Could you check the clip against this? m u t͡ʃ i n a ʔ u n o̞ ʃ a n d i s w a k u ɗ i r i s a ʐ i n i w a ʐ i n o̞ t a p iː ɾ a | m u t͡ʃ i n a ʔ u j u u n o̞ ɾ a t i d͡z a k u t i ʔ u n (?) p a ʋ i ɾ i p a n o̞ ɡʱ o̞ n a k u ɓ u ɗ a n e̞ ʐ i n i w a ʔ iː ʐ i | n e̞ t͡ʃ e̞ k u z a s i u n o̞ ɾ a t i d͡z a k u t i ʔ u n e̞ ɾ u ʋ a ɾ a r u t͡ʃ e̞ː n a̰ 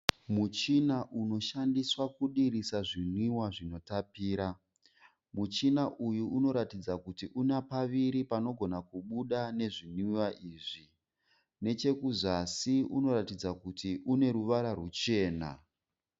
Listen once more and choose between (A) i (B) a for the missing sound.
B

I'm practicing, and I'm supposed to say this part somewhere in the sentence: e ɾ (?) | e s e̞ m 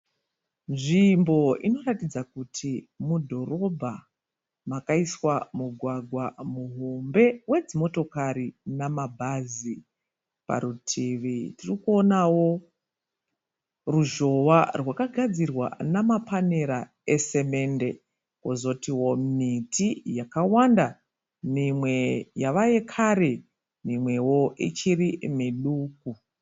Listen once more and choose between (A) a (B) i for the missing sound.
A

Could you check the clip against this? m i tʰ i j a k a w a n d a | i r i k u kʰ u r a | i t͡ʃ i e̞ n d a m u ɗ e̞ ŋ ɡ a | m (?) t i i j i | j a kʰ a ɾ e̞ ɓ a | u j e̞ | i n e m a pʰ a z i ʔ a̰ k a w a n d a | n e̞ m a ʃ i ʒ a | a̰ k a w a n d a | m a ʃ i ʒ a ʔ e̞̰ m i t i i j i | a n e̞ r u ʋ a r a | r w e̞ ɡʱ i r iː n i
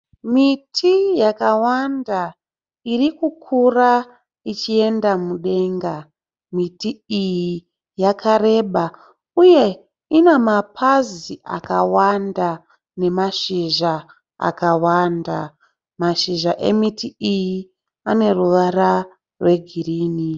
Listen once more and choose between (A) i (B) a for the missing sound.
A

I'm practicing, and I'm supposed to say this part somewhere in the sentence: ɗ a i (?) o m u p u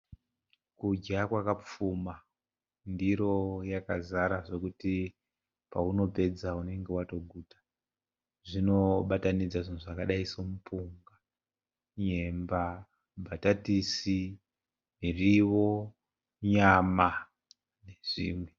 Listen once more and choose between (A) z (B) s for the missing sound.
B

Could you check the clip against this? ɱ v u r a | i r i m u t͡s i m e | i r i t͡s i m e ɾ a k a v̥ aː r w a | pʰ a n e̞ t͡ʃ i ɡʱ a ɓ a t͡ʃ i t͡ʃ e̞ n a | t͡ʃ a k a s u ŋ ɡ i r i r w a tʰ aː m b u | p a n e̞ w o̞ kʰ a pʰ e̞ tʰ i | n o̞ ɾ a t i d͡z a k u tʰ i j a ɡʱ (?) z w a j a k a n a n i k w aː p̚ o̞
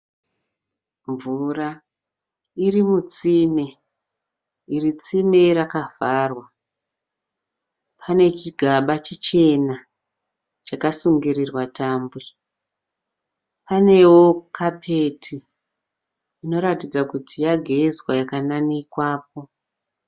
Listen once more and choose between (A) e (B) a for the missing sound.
A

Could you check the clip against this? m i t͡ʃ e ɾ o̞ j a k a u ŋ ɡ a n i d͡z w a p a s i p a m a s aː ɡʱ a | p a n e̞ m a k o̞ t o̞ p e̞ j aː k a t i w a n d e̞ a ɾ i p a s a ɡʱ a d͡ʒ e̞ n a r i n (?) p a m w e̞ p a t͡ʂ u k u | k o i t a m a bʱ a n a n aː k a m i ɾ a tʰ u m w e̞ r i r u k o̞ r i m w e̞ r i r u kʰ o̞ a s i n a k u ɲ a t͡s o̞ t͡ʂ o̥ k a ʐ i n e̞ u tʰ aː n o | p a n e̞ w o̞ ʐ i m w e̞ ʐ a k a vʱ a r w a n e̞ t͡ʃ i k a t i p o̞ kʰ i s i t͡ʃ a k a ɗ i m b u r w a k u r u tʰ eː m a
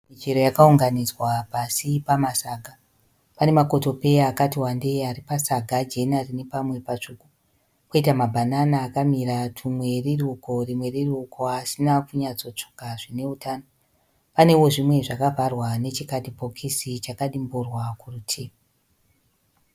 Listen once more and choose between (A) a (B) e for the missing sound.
B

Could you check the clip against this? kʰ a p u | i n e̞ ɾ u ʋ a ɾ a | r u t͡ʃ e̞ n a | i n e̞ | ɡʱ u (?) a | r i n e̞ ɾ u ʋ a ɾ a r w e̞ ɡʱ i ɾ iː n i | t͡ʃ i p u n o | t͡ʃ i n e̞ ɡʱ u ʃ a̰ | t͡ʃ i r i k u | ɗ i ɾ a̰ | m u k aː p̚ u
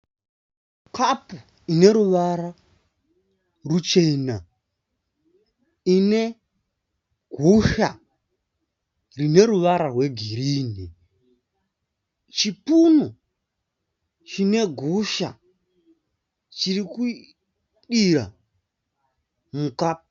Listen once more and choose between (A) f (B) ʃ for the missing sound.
B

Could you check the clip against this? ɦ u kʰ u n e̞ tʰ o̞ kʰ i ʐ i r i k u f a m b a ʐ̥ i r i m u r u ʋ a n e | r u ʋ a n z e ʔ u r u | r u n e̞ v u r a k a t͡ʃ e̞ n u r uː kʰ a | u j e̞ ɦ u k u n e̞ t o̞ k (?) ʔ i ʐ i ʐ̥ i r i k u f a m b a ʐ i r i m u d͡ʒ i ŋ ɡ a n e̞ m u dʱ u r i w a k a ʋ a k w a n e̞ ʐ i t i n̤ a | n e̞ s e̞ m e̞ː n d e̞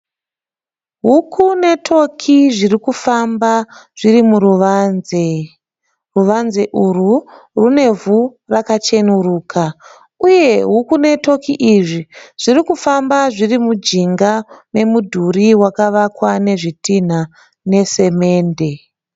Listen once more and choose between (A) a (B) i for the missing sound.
B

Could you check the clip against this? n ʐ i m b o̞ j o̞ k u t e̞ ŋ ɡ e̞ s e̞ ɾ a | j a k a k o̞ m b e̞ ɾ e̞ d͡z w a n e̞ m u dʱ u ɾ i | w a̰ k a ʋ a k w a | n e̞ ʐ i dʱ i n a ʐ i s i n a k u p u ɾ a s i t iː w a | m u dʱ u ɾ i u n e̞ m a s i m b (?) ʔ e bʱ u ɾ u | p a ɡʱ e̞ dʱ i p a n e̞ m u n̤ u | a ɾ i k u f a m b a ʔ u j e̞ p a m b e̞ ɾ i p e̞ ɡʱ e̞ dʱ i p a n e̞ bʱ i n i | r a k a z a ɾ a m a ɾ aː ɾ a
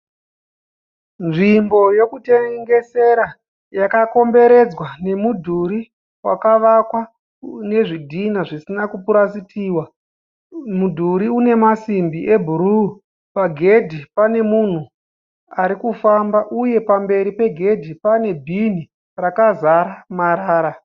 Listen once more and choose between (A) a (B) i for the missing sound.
B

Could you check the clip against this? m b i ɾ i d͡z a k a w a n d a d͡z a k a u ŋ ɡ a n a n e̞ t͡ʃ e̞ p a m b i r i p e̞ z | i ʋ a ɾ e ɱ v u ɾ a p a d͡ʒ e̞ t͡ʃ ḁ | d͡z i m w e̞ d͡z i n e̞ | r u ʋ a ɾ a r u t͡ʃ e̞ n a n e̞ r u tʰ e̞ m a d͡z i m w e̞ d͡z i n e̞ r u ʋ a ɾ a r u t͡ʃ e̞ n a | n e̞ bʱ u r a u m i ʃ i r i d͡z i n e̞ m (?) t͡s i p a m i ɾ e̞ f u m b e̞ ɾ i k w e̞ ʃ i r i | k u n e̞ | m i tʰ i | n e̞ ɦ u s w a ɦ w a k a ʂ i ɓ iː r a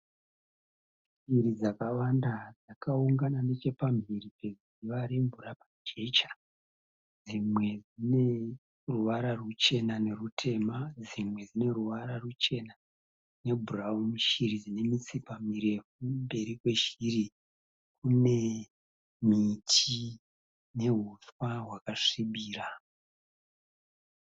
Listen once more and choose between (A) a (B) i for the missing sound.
B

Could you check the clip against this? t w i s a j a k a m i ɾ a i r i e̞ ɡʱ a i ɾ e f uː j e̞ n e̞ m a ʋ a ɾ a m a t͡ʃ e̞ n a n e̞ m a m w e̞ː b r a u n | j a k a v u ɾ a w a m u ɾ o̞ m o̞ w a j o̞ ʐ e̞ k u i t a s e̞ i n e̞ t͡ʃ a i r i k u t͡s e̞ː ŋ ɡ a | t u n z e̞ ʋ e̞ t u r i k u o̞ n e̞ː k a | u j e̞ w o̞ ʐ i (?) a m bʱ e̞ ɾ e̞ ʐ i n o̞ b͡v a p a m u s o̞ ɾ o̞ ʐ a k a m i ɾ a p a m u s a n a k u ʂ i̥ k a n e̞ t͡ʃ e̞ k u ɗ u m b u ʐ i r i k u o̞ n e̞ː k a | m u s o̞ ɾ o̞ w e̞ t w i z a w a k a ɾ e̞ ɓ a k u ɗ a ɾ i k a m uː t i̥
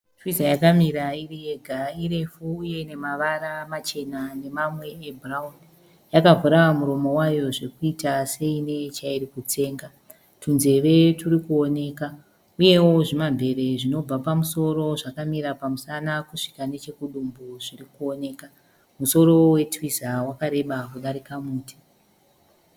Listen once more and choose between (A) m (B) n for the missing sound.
A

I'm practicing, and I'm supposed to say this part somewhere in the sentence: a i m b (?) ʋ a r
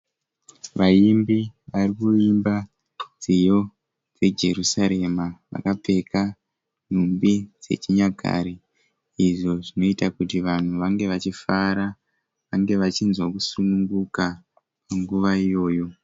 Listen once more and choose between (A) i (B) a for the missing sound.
A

